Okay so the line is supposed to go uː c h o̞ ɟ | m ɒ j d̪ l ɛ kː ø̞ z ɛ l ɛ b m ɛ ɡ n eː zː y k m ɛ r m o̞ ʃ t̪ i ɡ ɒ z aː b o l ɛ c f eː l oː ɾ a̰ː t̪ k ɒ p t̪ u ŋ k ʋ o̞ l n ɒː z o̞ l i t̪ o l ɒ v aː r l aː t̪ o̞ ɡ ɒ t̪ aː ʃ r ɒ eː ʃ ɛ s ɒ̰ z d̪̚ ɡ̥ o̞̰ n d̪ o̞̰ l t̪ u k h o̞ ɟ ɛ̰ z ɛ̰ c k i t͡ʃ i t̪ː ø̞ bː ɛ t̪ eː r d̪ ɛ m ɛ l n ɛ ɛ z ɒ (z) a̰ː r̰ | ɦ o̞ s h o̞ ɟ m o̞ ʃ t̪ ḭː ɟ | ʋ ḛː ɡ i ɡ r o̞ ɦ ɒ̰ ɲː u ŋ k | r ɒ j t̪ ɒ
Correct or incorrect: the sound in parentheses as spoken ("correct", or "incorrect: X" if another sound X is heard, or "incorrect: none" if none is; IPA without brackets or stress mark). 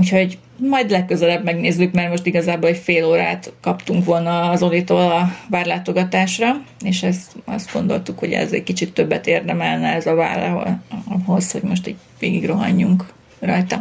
incorrect: v